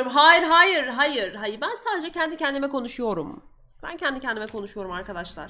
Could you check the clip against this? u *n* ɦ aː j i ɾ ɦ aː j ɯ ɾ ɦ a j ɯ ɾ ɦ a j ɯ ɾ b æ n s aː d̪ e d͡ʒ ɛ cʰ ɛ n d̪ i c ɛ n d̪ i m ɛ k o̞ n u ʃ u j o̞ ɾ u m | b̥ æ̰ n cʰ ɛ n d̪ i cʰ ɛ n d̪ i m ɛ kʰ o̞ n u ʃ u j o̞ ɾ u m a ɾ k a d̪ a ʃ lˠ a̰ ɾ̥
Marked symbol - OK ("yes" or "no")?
no